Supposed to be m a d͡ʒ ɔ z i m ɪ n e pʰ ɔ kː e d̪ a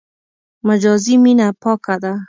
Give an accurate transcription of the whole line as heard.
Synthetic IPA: m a d͡ʒ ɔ z i m i n a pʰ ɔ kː a d̪ a

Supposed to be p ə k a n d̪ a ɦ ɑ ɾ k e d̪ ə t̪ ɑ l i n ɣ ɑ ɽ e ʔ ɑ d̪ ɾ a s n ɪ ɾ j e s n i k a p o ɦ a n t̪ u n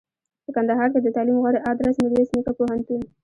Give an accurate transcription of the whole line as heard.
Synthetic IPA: p ə k a n d̪ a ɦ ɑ ɾ k e d̪ ə t̪ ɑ l i m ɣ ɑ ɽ e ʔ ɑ d̪ ɾ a s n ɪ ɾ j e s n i k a p o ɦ a n t̪ u n

